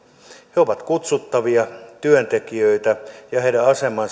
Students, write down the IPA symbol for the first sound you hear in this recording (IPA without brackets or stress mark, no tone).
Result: h